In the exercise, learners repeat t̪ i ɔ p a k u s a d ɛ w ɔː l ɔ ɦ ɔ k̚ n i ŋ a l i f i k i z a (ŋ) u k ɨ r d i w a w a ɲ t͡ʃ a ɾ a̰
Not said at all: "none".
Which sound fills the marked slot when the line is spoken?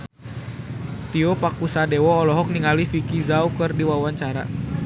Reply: none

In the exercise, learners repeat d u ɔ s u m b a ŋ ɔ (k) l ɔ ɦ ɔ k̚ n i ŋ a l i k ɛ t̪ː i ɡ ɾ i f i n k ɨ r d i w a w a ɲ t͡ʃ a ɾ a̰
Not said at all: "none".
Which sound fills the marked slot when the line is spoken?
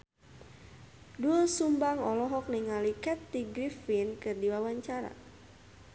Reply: none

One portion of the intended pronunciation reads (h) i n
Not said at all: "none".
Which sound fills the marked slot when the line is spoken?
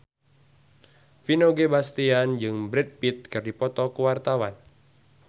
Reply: f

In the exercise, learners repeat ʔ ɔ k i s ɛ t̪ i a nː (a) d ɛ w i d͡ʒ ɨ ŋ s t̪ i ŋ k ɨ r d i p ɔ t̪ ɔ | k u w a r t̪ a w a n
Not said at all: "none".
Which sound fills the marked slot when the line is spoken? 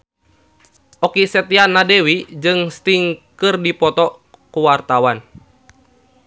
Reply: a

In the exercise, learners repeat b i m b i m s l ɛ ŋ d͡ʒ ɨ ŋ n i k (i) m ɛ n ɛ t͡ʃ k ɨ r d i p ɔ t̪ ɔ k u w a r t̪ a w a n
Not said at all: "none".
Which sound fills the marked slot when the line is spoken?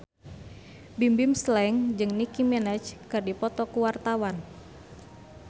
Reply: i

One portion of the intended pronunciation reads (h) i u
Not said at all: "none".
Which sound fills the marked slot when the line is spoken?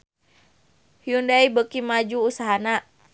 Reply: h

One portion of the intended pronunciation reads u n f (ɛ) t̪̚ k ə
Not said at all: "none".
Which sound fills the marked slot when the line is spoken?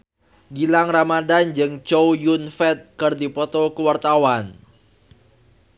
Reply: ɛ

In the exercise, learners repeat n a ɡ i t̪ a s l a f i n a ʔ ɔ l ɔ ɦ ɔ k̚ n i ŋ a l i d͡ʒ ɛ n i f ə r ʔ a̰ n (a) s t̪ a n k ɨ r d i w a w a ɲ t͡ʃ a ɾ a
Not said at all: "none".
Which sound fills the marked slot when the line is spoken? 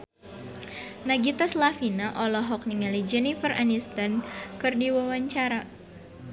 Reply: i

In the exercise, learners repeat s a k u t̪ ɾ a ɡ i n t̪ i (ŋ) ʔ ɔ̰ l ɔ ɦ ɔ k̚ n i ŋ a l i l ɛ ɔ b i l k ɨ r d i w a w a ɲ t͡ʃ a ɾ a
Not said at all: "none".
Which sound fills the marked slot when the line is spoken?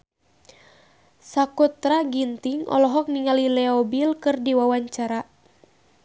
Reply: ŋ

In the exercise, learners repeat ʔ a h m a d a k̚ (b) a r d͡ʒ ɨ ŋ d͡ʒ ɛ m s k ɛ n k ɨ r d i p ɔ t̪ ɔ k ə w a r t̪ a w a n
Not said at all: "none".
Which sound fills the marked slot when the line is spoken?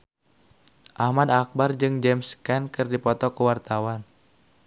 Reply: b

